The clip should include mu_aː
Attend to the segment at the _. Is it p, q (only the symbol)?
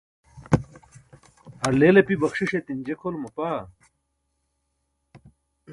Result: p